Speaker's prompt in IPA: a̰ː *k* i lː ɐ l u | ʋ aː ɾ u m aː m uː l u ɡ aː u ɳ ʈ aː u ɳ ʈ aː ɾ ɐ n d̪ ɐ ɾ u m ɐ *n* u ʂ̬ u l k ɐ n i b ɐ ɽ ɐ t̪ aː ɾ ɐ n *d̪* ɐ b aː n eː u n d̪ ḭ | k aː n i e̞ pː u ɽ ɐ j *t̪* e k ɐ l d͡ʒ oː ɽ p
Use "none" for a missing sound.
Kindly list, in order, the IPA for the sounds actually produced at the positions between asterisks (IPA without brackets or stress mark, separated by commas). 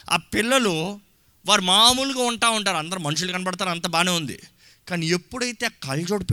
p, n, t̪, t̪